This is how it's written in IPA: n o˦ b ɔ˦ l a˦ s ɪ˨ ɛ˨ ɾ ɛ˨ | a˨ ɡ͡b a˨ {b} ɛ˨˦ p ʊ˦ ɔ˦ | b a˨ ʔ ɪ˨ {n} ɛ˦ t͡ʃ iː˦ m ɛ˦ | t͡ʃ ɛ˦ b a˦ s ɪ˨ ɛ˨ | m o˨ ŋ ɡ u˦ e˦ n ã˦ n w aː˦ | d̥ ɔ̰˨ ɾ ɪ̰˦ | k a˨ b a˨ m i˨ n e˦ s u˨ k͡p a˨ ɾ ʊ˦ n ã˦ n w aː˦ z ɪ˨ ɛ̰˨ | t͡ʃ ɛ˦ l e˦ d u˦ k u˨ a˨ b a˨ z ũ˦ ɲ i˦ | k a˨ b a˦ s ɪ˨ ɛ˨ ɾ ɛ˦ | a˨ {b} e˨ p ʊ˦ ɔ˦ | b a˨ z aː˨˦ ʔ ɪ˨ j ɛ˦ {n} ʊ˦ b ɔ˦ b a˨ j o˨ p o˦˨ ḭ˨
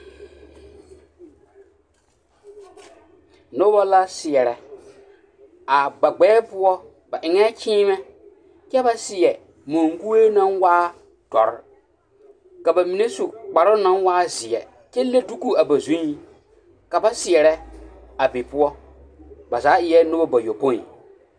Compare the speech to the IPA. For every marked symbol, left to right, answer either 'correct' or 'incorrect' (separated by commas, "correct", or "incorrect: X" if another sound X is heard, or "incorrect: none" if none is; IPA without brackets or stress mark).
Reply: incorrect: ɡ͡b, incorrect: ŋ, correct, correct